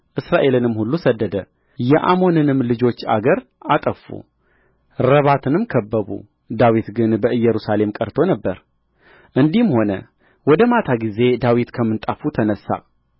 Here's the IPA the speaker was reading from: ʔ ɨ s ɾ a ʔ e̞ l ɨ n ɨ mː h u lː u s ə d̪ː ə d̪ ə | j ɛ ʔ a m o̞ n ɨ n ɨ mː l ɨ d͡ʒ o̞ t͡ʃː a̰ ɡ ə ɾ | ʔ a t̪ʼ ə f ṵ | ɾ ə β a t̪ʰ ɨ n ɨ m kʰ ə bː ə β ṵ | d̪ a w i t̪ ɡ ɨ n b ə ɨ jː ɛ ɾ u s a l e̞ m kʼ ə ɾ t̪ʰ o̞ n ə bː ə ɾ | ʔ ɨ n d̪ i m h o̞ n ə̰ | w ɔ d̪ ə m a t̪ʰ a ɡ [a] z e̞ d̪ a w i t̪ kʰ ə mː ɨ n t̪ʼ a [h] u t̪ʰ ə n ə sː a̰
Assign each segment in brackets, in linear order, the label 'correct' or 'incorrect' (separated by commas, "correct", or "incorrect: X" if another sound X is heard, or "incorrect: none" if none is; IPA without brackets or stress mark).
incorrect: i, incorrect: f